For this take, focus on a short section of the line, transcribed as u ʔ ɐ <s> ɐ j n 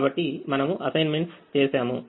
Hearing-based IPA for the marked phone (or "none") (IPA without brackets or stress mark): s